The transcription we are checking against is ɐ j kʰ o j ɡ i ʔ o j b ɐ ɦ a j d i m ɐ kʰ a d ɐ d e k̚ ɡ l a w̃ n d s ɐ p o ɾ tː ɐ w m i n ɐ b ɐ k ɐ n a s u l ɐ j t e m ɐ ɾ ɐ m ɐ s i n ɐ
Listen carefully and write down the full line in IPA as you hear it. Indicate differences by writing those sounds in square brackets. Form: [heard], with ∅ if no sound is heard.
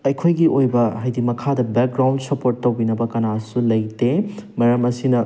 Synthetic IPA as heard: ɐ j kʰ o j ɡ i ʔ o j b ɐ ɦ a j d i m ɐ kʰ a d ɐ [b] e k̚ ɡ [ɾ] a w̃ n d s ɐ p o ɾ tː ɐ w [b] i n ɐ b ɐ k ɐ n a s u l ɐ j t e m ɐ ɾ ɐ m ɐ s i n ɐ